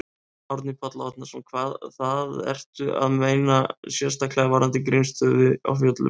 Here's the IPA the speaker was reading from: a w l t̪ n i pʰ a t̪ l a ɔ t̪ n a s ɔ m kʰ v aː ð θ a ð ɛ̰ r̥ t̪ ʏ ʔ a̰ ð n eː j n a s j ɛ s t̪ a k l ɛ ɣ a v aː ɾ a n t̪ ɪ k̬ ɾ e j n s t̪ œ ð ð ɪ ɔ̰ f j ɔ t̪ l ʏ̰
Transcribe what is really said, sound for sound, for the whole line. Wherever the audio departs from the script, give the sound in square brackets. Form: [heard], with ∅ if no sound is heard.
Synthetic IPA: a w [ɾ] t̪ n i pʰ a t̪ l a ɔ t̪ n a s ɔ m kʰ v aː ð θ a ð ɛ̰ r̥ t̪ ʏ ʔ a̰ ð [m] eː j n a s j ɛ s t̪ a k l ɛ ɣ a v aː ɾ a n t̪ ɪ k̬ ɾ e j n s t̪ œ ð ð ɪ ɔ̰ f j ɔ t̪ l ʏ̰